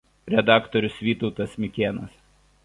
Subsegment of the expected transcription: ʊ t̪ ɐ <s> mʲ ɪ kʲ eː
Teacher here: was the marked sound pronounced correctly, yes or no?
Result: yes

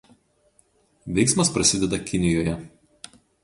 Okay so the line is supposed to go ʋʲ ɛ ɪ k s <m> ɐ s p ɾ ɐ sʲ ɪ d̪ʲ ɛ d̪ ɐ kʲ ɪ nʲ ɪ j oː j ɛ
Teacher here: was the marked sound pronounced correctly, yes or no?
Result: yes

